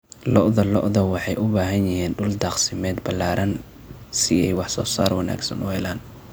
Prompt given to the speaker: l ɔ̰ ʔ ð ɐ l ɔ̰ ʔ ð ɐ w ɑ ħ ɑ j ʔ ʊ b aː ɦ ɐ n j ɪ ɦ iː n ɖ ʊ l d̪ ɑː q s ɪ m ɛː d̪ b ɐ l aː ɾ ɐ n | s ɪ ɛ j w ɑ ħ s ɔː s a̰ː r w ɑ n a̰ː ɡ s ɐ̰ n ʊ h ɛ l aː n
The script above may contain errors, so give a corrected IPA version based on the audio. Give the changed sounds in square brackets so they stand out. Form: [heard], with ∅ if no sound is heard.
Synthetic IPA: l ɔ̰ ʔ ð ɐ l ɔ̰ ʔ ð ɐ w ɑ ħ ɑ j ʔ ʊ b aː ɦ ɐ n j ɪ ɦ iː n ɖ ʊ l d̪ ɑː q s ɪ m ɛː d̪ b ɐ l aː ɾ ɐ n | s ɪ ɛ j w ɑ ħ s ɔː s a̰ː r w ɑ n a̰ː ɡ s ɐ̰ n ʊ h ɛ l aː n